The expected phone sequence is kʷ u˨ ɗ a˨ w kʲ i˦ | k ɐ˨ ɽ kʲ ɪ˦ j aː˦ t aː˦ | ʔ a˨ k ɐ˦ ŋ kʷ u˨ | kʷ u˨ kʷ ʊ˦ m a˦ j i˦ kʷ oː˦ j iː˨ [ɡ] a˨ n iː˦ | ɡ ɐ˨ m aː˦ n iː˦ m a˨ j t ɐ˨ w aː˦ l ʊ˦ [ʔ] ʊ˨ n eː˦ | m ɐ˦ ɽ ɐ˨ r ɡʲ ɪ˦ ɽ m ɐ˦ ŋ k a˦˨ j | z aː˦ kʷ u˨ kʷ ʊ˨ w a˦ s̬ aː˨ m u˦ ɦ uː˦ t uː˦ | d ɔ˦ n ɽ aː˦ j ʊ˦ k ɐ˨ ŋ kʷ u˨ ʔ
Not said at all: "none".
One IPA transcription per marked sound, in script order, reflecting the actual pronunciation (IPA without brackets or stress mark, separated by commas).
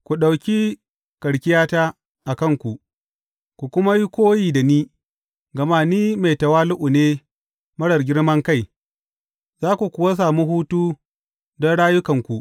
d, ʔ